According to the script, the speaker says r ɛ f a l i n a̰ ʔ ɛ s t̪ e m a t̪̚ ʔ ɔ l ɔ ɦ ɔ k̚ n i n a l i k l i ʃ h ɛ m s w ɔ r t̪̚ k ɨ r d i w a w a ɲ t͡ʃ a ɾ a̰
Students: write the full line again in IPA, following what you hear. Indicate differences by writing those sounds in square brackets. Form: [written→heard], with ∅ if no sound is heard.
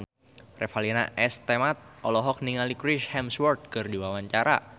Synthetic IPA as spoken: r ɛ f a l i n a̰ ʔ ɛ s t̪ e m a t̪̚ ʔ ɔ l ɔ ɦ ɔ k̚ n i [n→ŋ] a l i k [l→ɾ] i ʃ h ɛ m s w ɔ r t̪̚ k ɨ r d i w a w a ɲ t͡ʃ a ɾ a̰